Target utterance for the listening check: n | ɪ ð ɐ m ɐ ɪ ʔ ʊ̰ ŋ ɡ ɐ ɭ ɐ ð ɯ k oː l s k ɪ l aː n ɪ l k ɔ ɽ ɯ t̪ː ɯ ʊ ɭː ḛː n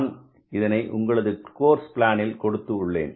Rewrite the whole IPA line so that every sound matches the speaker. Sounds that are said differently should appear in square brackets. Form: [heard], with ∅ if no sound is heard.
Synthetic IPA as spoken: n | ɪ ð ɐ [n] ɐ ɪ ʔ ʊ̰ ŋ ɡ ɐ ɭ ɐ ð ɯ k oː [ɾ] s [p] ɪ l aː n ɪ l k ɔ ɽ ɯ t̪ː ɯ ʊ ɭː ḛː n